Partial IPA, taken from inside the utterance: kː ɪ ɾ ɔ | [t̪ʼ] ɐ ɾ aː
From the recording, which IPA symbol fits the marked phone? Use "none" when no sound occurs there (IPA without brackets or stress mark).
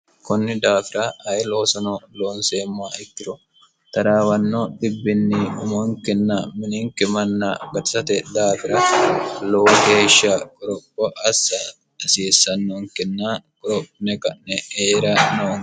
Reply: t̪